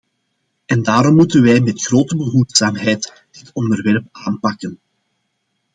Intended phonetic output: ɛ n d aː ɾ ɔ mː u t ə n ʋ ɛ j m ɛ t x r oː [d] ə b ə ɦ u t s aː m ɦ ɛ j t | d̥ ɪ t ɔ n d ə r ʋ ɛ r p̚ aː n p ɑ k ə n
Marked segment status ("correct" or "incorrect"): incorrect